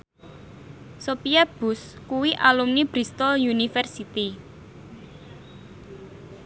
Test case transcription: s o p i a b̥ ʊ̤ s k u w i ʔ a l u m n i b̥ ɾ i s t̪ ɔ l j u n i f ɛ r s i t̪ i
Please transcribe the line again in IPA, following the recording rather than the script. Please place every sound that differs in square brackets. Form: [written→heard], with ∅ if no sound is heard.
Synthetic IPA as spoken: s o p i a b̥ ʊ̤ s k u w i ʔ a l u m n i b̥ ɾ i s t̪ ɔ l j u n i f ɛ r s i t̪ i